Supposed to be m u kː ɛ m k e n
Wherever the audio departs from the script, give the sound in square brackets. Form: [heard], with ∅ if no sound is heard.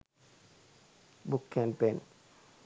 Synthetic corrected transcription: [b] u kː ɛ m [p] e n